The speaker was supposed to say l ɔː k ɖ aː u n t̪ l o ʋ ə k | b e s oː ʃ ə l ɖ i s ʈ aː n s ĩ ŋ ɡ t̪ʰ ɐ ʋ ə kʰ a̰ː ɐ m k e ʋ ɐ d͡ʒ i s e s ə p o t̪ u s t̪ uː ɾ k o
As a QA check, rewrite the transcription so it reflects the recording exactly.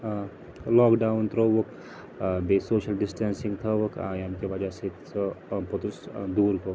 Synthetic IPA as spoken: l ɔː k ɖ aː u n t̪ ɾ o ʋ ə k | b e s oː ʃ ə l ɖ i s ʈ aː n s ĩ ŋ ɡ t̪ʰ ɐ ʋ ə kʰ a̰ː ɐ m k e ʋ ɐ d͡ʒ a s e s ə p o t̪ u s d̪ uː ɾ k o